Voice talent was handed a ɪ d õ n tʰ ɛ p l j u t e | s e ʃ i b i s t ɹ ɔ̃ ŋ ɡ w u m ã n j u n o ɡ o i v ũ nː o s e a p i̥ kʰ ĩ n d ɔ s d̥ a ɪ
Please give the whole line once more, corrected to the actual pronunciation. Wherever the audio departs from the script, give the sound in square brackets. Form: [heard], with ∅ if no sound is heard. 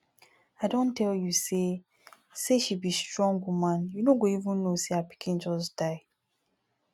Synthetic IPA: a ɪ d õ n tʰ ɛ [∅] l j u [s] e | s e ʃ i b i s t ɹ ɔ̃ ŋ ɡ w u m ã n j u n o ɡ o i v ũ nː o s e a p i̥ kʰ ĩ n [d͡ʒ] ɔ s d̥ a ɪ